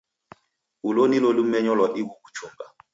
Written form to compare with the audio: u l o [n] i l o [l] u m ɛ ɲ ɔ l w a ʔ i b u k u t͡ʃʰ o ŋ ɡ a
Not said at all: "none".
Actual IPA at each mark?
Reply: n, l

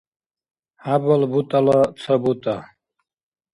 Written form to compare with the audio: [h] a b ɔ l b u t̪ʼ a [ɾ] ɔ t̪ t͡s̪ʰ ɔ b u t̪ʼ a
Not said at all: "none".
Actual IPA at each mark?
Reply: h, l

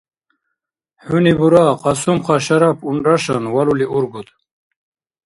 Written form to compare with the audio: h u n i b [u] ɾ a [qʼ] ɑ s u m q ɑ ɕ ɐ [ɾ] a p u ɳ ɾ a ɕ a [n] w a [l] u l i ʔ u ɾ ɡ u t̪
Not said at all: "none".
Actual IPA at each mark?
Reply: u, q, ɾ, n, l

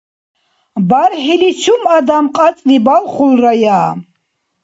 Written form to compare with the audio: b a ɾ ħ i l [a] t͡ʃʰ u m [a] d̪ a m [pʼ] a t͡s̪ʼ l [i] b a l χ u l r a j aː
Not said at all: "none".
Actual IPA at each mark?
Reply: i, a, qʼ, i

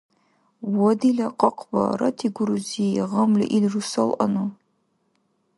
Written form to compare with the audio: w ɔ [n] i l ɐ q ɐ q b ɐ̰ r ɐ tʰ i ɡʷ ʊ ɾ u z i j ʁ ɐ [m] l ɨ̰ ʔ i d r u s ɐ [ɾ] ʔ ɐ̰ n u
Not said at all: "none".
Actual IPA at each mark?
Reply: d, m, l

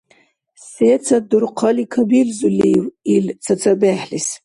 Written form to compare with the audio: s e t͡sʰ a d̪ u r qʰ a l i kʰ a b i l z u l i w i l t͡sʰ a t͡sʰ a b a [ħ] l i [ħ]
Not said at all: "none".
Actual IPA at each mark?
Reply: ħ, s

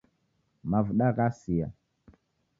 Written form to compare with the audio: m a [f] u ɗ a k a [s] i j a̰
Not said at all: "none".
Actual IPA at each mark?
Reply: v, s

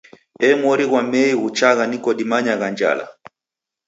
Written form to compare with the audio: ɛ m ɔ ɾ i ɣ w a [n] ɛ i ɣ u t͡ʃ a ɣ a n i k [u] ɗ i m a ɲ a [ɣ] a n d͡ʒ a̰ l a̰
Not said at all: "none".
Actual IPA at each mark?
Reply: m, ɔ, ɣ

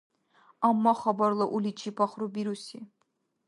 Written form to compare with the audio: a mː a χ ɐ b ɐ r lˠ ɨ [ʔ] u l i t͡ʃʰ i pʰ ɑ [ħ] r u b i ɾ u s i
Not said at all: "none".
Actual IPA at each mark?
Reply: ʔ, χ

